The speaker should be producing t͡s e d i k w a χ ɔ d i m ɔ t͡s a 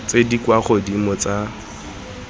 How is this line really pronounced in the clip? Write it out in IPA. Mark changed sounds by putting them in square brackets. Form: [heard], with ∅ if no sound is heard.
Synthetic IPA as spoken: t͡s e d i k w a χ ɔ d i m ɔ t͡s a